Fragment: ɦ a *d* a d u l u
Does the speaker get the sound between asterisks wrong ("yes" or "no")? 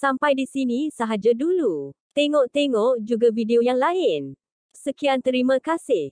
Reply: yes